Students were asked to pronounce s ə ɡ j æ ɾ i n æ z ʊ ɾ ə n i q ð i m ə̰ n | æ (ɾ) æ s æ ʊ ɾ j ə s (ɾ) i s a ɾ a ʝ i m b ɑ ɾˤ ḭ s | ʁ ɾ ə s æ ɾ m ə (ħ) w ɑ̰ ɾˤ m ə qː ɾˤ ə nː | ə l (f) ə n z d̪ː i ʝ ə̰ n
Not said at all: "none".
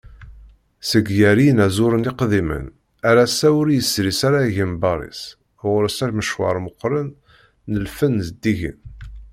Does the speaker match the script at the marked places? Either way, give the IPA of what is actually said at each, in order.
ɾ, ɾ, ʃ, f

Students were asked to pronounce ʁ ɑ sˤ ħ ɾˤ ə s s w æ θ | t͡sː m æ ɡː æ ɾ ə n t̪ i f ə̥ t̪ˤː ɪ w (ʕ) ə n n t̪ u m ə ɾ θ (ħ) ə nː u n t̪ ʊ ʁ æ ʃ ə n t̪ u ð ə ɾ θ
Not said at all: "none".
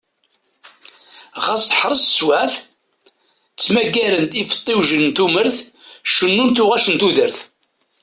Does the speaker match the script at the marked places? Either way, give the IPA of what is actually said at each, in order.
ʒ, ʃ

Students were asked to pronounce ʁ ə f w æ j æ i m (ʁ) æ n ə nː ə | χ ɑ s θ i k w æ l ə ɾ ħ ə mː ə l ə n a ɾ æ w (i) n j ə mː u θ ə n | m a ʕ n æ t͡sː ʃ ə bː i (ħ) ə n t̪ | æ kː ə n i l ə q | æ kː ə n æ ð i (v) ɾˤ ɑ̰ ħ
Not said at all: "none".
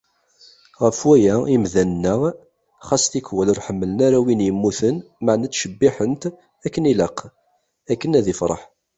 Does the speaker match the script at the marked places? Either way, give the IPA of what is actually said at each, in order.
ð, i, ħ, f

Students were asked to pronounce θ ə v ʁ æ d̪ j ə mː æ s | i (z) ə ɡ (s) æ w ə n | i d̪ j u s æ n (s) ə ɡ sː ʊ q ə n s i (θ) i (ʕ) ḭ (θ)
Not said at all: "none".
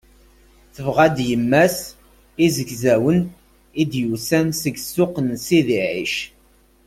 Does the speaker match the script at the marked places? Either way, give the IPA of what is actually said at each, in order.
z, z, s, ð, ʕ, ʃ

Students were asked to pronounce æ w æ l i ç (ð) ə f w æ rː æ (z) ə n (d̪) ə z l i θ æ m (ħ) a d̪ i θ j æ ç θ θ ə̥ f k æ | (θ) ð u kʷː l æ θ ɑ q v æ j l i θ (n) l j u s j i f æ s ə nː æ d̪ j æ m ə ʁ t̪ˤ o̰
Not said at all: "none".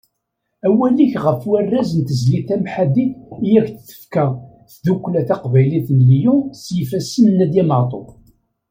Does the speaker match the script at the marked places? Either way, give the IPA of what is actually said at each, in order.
ʁ, z, t̪, ħ, θ, n

